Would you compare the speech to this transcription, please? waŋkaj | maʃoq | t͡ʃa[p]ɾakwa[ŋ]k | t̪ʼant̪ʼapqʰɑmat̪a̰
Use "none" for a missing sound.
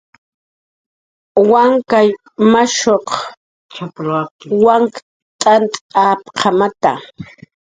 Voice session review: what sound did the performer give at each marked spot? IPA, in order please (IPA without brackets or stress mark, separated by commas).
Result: p, ŋ